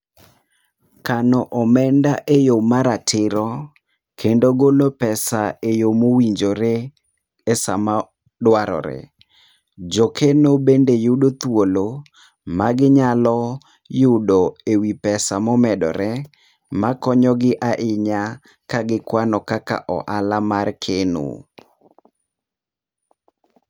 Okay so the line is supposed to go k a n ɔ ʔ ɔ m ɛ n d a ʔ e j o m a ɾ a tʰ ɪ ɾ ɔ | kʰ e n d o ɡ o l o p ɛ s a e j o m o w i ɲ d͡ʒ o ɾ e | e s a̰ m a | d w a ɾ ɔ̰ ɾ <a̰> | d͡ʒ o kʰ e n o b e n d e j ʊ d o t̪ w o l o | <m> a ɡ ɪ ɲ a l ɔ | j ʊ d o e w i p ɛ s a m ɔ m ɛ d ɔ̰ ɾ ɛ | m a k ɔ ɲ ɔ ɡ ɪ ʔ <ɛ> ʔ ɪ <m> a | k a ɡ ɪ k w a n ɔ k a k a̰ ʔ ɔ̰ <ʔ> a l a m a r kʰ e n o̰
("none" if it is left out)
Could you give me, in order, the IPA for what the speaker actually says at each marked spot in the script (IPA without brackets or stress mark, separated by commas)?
ɛ̰, m, a, ɲ, ʔ